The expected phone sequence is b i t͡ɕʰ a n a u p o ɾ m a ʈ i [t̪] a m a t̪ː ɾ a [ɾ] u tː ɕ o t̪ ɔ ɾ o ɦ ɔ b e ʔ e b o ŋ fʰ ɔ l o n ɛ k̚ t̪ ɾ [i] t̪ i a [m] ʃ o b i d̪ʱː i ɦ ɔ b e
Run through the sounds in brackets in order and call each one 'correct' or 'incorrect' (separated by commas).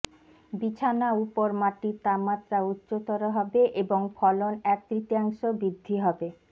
correct, incorrect, correct, incorrect